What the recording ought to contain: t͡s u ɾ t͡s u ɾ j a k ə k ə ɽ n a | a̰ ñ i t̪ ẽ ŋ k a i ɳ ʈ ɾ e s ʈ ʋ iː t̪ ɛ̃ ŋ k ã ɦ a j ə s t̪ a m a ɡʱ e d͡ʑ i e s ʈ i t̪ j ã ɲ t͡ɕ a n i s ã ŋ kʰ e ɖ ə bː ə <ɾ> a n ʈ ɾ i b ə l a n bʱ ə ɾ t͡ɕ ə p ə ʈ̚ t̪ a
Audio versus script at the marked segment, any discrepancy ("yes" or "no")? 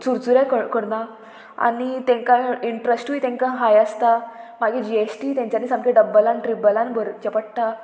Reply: yes